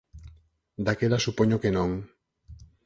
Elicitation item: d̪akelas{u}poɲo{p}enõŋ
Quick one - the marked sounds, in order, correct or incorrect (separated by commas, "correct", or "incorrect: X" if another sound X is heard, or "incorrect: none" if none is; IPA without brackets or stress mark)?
correct, incorrect: k